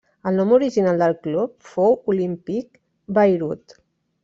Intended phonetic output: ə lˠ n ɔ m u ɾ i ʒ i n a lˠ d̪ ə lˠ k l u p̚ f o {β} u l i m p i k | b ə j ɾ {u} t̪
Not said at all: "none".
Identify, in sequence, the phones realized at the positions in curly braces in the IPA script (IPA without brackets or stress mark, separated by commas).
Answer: w, u